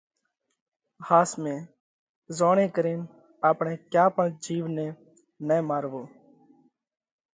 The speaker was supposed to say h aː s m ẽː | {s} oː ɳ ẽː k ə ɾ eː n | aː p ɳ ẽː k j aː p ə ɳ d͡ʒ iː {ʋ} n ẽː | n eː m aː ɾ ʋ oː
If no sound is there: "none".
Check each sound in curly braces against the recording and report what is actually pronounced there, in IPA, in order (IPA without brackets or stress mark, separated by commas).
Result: z, ʋ